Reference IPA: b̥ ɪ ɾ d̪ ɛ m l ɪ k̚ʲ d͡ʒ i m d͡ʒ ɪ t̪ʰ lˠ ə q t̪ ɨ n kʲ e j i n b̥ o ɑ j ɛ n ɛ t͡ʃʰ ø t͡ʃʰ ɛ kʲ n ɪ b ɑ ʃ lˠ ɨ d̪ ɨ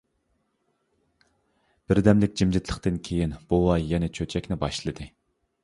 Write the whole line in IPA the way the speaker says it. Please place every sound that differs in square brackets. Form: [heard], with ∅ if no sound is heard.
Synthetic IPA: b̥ ɪ ɾ d̪ ɛ m l ɪ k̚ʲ d͡ʒ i m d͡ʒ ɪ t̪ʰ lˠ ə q t̪ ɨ n [kʲʰ] e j i n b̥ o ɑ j ɛ n ɛ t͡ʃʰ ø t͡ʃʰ ɛ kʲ n ɪ b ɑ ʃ lˠ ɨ d̪ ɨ